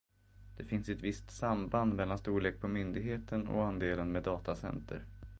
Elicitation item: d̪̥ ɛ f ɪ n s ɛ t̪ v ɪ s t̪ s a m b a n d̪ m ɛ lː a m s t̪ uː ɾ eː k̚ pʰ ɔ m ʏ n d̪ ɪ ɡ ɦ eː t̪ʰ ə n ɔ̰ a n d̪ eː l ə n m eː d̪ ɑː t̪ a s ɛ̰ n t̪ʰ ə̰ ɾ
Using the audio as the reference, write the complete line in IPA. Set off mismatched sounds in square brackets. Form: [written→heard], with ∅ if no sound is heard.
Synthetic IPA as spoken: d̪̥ ɛ f ɪ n s ɛ t̪ v ɪ s t̪ s a m b a n d̪ m ɛ lː a [m→n] s t̪ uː [ɾ→ɭ] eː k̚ pʰ ɔ m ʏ n d̪ ɪ ɡ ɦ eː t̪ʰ ə n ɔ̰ a n d̪ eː l ə n m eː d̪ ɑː t̪ a s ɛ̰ n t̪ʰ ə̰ ɾ